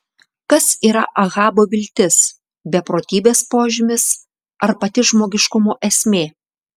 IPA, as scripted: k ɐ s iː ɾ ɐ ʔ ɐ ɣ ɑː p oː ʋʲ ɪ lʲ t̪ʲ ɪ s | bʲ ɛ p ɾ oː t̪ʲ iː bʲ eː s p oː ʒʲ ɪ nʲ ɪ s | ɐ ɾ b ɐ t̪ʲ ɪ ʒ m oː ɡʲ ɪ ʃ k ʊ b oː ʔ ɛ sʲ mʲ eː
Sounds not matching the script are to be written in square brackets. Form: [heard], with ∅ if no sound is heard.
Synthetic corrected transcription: k ɐ s iː ɾ ɐ ʔ ɐ ɣ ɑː [b] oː ʋʲ ɪ lʲ t̪ʲ ɪ s | bʲ ɛ p ɾ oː t̪ʲ iː bʲ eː s p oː ʒʲ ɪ [mʲ] ɪ s | ɐ ɾ [p] ɐ t̪ʲ ɪ ʒ m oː ɡʲ ɪ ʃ k ʊ [m] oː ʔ ɛ sʲ mʲ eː